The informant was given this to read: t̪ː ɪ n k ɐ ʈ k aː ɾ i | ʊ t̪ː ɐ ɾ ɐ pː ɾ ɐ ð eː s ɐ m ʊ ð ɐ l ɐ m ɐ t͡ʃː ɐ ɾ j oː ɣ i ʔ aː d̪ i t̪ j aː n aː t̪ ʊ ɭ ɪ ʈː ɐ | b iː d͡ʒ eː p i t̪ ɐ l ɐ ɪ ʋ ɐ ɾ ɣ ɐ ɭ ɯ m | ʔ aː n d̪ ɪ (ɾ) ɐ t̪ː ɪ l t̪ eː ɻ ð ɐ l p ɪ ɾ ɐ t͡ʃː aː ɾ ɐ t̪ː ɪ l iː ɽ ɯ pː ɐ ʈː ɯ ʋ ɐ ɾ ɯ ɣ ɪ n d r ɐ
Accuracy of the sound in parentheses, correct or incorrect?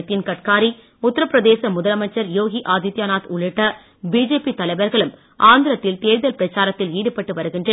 correct